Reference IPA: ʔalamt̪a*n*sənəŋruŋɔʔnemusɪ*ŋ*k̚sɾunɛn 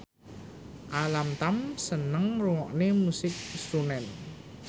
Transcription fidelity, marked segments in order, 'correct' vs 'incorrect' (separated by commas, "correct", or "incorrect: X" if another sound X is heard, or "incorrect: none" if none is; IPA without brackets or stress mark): incorrect: m, incorrect: none